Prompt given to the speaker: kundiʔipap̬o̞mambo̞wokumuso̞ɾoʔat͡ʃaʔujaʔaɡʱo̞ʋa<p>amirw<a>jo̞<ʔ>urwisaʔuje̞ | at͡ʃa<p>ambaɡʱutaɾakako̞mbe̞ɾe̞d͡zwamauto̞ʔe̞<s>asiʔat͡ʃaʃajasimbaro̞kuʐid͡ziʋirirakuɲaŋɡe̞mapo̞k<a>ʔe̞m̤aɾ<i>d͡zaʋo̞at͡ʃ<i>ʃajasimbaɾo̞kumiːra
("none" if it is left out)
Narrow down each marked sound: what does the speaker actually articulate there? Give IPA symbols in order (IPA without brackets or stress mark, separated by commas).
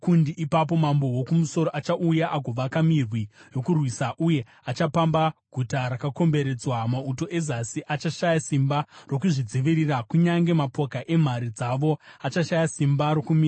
k, i, k, p, z, a, i, a